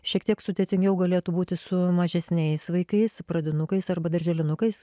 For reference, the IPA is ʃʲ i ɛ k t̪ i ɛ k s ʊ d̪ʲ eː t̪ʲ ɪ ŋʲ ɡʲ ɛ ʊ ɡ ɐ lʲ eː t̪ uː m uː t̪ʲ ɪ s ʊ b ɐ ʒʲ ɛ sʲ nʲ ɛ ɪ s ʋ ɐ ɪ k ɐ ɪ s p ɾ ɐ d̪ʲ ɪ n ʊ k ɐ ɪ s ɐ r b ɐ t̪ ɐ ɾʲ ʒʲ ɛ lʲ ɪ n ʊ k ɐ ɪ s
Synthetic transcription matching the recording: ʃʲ i ɛ k t̪ i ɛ k s ʊ d̪ʲ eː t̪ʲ ɪ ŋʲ ɡʲ ɛ ʊ ɡ ɐ lʲ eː t̪ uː b uː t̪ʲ ɪ s ʊ m ɐ ʒʲ ɛ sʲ nʲ ɛ ɪ s ʋ ɐ ɪ k ɐ ɪ s p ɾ ɐ d̪ʲ ɪ n ʊ k ɐ ɪ s ɐ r b ɐ d̪ ɐ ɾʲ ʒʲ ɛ lʲ ɪ n ʊ k ɐ ɪ s